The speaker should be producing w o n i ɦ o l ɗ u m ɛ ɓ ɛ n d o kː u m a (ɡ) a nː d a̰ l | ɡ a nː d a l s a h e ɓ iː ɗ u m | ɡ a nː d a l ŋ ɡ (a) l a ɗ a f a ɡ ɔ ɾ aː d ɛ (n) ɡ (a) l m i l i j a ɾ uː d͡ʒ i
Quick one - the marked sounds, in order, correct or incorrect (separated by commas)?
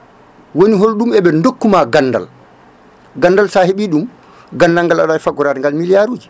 correct, correct, incorrect, correct